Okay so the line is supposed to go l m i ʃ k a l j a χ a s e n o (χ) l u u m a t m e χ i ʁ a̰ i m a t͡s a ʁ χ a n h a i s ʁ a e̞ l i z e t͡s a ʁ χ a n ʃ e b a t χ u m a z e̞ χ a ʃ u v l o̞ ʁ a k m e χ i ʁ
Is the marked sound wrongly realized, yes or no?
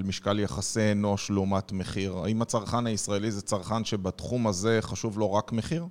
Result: yes